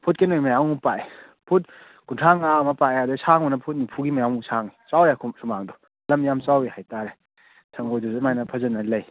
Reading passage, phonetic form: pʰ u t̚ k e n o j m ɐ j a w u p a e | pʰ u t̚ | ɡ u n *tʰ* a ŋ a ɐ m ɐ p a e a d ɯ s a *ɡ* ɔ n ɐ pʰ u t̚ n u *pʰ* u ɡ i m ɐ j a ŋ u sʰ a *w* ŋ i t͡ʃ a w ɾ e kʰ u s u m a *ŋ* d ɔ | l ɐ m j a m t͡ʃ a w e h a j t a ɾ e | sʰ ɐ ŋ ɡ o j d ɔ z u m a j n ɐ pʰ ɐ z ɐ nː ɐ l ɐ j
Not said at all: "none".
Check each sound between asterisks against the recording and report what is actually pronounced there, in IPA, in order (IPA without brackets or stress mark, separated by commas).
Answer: tʰ, ŋ, pʰ, none, ŋ